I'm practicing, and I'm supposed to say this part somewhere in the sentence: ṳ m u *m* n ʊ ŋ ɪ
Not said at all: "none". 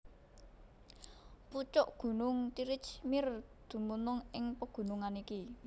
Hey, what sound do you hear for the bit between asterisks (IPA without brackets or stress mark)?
none